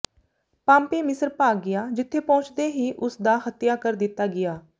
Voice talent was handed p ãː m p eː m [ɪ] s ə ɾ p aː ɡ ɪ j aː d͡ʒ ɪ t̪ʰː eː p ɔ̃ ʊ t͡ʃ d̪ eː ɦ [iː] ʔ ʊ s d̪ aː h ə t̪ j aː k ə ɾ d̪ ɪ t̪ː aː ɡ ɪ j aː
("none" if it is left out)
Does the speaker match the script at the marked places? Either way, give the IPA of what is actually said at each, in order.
ɪ, iː

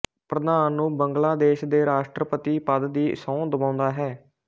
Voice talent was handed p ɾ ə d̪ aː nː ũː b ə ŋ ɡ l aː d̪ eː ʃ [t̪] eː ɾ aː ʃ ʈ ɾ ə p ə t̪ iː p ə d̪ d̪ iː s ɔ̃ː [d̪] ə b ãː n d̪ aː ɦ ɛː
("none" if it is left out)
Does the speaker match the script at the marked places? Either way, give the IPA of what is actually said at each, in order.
d̪, d̪

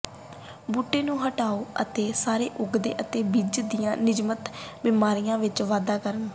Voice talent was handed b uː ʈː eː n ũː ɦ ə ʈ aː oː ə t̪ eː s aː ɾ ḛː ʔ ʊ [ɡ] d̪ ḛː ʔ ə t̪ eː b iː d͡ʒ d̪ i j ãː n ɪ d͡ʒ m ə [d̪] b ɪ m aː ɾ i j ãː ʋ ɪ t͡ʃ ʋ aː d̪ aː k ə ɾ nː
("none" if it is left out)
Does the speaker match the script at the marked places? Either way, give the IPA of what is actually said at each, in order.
ɡ, t̪

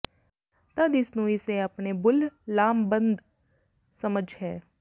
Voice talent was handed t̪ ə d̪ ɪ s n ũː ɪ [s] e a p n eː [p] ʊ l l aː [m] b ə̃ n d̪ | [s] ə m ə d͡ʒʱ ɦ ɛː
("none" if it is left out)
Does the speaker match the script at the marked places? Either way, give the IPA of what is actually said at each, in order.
s, b, m, s

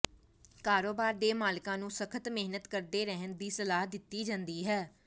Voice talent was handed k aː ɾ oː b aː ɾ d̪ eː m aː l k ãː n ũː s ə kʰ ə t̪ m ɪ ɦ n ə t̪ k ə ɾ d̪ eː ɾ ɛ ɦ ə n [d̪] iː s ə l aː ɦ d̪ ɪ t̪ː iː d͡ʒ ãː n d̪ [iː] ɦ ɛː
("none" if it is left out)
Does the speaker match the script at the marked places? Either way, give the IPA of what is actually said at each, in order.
d̪, iː

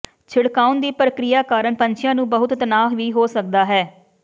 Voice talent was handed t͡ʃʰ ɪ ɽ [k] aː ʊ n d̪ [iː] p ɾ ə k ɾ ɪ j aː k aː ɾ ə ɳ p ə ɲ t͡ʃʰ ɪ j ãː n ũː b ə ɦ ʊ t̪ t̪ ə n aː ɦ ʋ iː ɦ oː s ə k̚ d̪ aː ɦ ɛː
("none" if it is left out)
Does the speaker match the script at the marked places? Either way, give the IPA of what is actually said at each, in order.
k, iː

